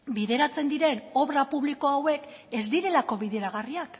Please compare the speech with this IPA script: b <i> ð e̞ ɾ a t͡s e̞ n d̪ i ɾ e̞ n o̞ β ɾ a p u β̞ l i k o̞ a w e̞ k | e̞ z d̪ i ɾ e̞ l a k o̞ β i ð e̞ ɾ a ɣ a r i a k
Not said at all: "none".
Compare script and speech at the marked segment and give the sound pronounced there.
i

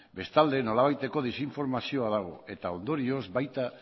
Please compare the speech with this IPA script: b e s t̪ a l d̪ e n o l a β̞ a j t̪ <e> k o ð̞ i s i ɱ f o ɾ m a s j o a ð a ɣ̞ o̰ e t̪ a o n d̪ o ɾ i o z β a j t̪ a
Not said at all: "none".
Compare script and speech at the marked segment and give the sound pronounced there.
e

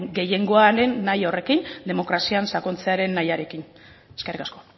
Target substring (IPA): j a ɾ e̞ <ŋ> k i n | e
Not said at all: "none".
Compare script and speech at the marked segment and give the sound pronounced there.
none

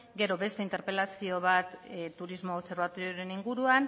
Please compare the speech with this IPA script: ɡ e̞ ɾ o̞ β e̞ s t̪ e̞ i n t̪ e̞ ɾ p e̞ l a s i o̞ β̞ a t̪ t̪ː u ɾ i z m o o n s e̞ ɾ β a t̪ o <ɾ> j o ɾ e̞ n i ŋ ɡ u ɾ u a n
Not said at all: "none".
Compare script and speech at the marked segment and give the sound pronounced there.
ɾ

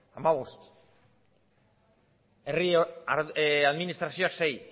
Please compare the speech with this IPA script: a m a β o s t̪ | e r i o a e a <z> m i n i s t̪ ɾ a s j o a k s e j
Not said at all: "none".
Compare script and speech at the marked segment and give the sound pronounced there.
ð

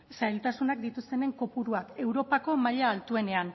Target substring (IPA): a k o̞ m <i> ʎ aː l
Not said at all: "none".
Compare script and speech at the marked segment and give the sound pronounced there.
a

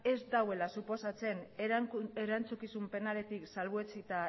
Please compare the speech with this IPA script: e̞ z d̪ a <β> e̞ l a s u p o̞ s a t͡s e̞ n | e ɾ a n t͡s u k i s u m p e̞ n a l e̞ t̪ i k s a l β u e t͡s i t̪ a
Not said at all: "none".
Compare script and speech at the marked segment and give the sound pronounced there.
w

